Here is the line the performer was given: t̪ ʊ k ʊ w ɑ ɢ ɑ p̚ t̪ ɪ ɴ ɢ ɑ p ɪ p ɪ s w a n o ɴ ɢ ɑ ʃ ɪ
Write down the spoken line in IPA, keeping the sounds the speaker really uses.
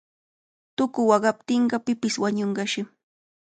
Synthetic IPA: t̪ ʊ k ʊ w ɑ ɢ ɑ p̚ t̪ ɪ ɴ ɢ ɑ p ɪ p ɪ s w a ɲ o ɴ ɢ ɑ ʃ ɪ